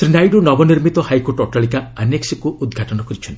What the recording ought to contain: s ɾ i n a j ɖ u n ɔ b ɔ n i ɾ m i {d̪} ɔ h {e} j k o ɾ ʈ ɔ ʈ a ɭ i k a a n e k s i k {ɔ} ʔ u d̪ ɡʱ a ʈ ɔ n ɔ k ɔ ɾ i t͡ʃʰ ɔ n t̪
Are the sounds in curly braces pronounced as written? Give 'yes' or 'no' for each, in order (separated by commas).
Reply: no, no, no